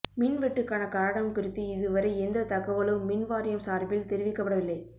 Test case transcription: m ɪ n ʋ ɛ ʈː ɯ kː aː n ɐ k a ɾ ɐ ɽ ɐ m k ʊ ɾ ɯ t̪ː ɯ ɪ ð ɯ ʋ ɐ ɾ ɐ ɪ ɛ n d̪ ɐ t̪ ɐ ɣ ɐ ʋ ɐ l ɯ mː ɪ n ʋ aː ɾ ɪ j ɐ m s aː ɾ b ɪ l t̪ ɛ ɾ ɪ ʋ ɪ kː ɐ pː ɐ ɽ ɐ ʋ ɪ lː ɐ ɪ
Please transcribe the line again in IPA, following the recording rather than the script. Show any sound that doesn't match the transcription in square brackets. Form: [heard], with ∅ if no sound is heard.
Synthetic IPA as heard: m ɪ n ʋ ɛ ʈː ɯ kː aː n ɐ k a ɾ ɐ ɽ ɐ m k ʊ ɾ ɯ t̪ː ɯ ɪ ð ɯ ʋ ɐ ɾ ɐ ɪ ɛ n d̪ ɐ t̪ ɐ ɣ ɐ ʋ ɐ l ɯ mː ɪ n ʋ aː ɾ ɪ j ɐ m s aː ɾ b ɪ l t̪ ɛ ɾ ɪ ʋ ɪ kː ɐ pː ɐ ɽ ɐ ʋ ɪ lː ɐ ɪ